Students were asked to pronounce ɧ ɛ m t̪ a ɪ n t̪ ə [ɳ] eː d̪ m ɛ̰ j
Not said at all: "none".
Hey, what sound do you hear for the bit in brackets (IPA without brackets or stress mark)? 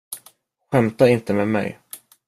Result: m